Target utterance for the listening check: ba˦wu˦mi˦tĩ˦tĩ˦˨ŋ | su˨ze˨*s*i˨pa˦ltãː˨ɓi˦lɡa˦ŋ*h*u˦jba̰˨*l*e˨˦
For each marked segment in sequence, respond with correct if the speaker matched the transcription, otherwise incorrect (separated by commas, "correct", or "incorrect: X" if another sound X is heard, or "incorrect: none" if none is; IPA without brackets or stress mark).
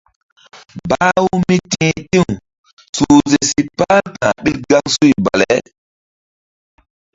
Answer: correct, incorrect: s, correct